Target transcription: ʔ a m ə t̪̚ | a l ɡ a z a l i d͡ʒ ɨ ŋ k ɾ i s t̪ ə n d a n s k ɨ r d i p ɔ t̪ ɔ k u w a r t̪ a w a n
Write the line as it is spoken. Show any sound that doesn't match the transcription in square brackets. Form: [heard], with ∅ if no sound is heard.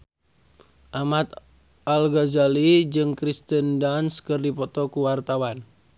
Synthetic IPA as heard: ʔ a m [a] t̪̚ | a l ɡ a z a l i d͡ʒ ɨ ŋ k ɾ i s t̪ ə n d a n s k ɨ r d i p ɔ t̪ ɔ k u w a r t̪ a w a n

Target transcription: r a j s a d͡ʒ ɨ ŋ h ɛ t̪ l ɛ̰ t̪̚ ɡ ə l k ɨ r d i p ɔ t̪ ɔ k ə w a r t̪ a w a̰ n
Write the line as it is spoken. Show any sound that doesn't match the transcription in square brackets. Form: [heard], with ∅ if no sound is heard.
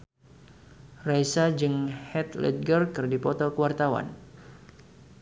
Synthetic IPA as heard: r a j s a d͡ʒ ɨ ŋ h ɛ t̪ l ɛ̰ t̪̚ ɡ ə [r] k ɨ r d i p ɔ t̪ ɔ k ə w a r t̪ a w a̰ n

